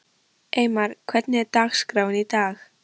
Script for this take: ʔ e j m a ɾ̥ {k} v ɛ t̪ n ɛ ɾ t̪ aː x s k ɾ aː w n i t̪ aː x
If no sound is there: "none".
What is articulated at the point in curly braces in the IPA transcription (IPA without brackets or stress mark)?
kʰ